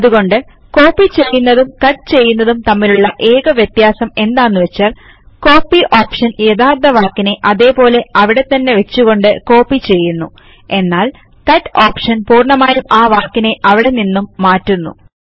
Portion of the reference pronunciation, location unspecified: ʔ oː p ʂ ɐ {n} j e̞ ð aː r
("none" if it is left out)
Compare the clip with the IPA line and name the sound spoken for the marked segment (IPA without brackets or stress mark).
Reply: n